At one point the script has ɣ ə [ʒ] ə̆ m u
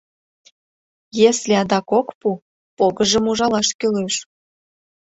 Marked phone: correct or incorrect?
correct